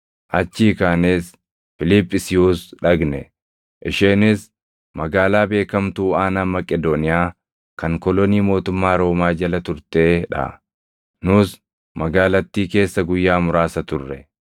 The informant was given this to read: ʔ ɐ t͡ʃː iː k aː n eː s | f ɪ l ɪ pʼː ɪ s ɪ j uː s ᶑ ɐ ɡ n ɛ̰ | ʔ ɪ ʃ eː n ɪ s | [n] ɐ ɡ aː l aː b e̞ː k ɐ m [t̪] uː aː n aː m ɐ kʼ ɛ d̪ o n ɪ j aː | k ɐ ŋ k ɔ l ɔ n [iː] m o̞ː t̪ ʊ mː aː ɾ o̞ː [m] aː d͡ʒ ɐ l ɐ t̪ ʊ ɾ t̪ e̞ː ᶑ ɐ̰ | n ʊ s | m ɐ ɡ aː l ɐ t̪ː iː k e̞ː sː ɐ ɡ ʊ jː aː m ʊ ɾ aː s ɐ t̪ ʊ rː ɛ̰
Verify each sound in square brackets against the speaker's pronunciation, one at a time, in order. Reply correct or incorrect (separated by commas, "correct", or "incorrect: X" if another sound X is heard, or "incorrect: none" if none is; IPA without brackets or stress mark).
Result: incorrect: m, correct, correct, correct